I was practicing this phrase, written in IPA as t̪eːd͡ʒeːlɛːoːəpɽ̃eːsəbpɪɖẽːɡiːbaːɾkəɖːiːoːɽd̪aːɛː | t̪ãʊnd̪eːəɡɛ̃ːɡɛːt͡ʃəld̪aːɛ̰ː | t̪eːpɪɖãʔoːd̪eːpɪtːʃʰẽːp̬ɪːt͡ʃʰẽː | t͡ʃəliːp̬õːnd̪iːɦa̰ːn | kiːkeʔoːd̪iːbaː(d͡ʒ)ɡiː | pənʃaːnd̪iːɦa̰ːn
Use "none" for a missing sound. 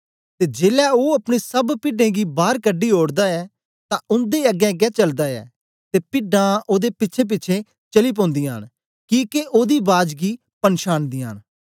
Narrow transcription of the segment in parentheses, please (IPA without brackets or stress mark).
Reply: d͡ʒ